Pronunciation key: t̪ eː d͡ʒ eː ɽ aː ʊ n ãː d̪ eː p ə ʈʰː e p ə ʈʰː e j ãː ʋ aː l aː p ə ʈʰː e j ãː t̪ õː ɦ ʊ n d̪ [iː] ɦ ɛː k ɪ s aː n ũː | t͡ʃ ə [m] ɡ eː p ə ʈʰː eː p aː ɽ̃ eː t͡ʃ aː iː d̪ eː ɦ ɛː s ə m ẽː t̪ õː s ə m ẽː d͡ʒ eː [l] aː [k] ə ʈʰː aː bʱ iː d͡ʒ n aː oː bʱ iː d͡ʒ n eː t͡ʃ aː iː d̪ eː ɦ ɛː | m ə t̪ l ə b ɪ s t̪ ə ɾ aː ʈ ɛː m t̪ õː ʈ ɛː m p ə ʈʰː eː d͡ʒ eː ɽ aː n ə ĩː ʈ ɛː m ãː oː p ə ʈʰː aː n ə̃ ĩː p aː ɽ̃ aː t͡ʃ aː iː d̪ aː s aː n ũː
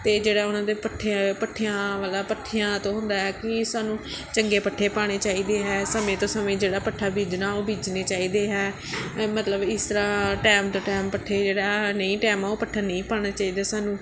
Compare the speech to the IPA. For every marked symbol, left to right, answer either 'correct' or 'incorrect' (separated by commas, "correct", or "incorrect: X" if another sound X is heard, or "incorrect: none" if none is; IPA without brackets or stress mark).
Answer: incorrect: aː, incorrect: ŋ, incorrect: ɽ, incorrect: p